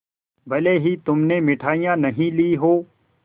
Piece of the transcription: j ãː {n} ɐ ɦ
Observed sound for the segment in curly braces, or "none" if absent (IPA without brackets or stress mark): n